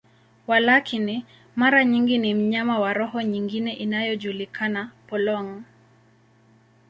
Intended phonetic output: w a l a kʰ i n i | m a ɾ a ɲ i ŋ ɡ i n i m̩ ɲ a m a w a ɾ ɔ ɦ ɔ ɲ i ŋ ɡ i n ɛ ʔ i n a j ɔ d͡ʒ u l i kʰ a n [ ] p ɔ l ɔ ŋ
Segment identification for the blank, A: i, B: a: B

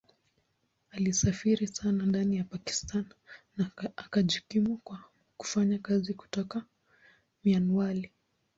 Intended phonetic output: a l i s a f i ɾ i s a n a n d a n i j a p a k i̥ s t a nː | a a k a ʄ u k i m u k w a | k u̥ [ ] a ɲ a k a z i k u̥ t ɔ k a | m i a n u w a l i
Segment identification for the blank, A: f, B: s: A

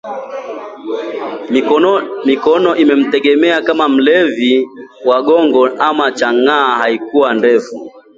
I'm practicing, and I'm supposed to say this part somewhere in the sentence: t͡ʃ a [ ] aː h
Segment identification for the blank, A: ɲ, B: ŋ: B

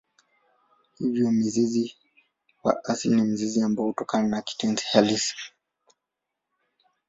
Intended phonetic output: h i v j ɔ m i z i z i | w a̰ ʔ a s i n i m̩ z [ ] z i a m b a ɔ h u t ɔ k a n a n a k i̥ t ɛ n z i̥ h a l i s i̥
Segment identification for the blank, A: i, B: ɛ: A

